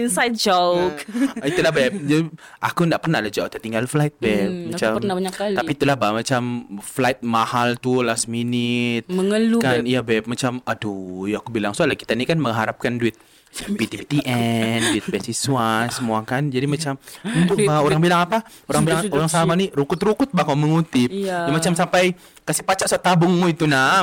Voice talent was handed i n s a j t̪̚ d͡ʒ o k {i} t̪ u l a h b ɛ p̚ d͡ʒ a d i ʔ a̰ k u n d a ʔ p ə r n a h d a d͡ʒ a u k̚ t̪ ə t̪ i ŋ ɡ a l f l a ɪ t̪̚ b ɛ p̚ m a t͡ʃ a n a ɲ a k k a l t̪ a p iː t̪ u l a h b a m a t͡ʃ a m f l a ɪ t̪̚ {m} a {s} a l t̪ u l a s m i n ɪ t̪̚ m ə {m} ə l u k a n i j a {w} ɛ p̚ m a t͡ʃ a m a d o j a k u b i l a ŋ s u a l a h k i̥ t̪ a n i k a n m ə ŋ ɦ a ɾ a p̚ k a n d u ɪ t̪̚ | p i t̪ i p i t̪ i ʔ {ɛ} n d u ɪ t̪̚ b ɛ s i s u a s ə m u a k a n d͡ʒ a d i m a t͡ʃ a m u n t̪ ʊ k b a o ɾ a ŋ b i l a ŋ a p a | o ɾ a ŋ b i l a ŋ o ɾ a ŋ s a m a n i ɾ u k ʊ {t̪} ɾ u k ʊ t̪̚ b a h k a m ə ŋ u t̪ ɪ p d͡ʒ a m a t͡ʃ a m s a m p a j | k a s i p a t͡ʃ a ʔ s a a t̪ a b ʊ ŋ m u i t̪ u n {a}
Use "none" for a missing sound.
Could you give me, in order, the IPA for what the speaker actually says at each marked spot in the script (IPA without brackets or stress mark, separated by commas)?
i, m, h, ŋ, b, ɛ, t̪, a